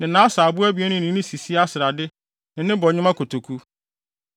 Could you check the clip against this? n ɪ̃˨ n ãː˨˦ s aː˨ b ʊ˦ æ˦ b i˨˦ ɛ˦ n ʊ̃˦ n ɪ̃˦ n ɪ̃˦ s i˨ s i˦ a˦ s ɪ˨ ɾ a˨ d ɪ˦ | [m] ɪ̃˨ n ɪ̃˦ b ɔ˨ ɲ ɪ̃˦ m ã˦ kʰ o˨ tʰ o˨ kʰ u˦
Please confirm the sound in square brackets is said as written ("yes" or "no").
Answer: no